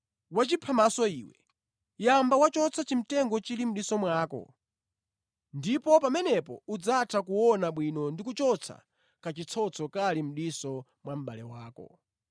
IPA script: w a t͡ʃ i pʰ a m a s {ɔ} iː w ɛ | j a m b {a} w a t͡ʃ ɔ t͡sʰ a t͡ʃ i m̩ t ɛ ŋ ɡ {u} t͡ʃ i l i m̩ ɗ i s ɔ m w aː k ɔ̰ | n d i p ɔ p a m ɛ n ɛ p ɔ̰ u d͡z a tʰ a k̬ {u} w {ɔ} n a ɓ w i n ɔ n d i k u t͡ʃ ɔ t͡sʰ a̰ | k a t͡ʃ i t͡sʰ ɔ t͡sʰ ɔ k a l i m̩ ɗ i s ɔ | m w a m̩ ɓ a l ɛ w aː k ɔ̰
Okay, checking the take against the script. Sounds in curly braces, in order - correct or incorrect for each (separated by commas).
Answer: correct, correct, incorrect, correct, correct